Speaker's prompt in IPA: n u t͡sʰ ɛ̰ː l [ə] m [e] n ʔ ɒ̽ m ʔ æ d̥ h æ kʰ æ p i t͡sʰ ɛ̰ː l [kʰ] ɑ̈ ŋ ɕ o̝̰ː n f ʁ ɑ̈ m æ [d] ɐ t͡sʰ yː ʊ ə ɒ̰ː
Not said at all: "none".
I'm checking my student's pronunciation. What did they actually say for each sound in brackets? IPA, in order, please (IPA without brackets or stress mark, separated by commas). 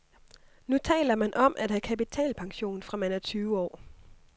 ɐ, æ, pʰ, n